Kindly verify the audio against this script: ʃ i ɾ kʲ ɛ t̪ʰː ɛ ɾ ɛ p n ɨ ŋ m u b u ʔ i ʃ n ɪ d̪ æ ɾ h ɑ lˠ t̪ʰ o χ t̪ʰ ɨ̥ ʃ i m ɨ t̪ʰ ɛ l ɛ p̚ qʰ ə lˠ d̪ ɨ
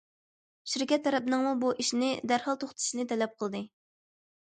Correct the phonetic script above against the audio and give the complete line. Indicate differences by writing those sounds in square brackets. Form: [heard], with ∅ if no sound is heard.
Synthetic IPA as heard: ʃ i ɾ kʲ ɛ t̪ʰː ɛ ɾ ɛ p n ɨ ŋ m u b u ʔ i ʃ n ɪ d̪ æ ɾ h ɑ lˠ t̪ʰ o χ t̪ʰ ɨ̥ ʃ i [n] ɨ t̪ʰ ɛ l ɛ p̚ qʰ ə lˠ d̪ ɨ